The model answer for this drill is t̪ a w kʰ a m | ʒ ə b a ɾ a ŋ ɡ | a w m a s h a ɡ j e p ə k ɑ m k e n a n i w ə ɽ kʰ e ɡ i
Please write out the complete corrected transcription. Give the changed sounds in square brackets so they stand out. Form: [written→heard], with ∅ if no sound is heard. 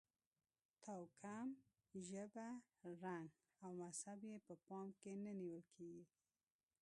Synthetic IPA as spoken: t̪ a w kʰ a m | ʒ ə b a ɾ a ŋ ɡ | a w m a s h a [ɡ→b] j e p ə [k→p] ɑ m k e n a n i w ə [ɽ→l] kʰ e ɡ i